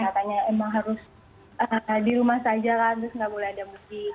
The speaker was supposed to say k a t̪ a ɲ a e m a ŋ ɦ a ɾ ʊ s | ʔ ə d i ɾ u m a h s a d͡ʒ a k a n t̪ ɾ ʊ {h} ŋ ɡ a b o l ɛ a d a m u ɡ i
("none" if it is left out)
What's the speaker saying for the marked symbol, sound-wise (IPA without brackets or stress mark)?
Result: s